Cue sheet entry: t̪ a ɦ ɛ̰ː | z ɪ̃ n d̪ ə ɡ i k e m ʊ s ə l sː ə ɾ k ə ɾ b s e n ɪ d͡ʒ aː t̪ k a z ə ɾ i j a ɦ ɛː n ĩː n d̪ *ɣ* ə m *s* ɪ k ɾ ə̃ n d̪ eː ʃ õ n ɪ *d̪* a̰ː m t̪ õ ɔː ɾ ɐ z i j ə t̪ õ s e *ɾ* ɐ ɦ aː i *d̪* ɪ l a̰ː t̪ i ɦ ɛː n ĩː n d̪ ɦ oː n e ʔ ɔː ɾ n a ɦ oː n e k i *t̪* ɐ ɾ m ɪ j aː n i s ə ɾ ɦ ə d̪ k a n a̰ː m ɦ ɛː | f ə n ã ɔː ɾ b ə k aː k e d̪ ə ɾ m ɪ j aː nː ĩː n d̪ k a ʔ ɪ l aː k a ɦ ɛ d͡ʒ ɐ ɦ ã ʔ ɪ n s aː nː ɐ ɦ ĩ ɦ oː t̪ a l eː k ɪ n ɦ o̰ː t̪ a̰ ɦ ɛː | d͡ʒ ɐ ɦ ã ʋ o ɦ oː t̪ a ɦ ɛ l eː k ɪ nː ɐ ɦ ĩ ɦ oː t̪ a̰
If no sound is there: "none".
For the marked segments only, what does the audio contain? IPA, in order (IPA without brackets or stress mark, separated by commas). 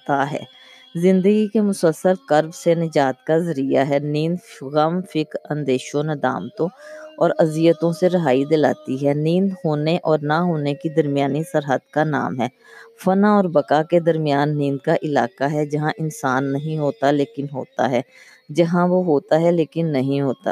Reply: ɣ, f, d̪, ɾ, d̪, d̪